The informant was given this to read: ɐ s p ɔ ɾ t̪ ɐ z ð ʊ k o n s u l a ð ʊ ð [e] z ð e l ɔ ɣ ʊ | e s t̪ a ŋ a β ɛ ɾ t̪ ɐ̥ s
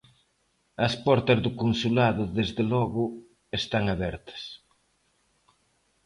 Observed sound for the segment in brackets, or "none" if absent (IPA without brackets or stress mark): e